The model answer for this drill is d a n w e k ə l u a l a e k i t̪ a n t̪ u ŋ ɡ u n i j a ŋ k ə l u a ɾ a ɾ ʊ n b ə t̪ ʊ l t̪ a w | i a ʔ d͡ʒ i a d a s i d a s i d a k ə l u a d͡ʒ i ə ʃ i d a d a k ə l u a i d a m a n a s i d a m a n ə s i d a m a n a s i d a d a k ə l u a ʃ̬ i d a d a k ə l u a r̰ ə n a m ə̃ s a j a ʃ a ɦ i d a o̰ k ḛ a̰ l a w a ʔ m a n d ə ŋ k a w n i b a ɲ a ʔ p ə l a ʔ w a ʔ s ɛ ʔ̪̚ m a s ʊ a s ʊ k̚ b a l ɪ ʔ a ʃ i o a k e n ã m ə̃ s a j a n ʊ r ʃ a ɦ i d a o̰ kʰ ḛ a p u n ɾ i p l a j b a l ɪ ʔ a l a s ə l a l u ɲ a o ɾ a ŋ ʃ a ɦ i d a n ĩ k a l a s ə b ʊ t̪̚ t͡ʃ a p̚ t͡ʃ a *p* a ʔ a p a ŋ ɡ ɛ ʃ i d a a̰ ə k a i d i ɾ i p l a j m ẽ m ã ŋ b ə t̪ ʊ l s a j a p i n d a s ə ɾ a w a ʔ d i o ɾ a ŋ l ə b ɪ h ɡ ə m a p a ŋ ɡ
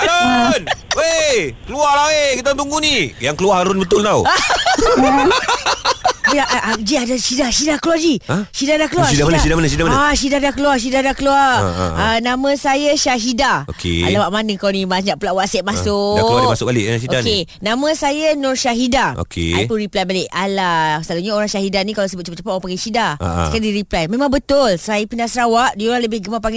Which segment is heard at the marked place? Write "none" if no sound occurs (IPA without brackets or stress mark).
p